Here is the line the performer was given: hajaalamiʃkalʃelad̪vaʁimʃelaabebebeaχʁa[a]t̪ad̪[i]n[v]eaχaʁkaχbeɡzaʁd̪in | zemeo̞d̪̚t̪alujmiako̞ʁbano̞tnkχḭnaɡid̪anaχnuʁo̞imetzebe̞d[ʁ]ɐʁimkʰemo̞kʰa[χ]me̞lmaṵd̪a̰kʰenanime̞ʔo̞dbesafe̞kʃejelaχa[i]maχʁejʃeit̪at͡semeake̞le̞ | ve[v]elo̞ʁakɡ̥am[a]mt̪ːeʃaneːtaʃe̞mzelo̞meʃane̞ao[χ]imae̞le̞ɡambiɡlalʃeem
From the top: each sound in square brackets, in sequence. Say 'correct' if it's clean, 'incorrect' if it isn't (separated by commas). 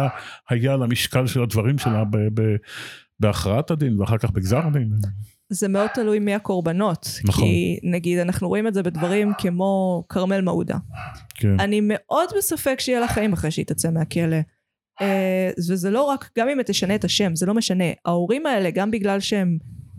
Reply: correct, correct, correct, incorrect, incorrect, correct, incorrect, incorrect, incorrect